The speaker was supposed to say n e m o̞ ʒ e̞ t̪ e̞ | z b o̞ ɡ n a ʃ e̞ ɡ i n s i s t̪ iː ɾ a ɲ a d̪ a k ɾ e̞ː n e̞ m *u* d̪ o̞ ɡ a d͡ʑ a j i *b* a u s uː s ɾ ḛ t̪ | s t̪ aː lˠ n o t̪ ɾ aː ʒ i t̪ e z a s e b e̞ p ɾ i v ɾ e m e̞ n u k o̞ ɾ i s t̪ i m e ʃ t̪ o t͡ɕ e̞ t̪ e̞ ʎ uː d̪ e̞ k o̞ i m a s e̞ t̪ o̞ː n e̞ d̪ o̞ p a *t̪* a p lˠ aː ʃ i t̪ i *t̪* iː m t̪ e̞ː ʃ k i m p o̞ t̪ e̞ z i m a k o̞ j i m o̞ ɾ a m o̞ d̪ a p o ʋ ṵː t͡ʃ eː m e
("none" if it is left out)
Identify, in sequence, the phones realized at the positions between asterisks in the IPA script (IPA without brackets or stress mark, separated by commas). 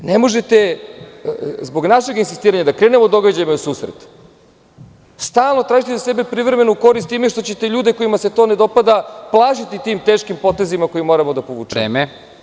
o, m, d̪, t̪